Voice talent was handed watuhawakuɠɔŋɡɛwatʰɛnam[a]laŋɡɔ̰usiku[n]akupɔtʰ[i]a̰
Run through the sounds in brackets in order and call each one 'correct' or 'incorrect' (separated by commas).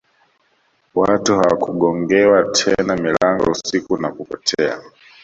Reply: incorrect, correct, incorrect